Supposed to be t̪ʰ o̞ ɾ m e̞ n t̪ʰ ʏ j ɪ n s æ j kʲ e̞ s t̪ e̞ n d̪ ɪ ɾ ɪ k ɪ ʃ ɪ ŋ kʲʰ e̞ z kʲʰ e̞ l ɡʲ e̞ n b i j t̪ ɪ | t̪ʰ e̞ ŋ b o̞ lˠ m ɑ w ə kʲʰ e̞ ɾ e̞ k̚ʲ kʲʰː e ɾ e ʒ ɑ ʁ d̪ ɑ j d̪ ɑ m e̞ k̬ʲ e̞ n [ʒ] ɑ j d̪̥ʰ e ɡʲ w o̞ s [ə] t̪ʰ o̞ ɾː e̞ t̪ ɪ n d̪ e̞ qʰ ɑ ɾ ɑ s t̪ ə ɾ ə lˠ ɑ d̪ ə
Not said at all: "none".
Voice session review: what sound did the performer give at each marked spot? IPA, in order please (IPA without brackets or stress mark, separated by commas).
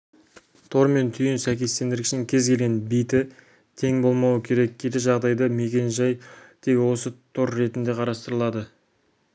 ʒ, ə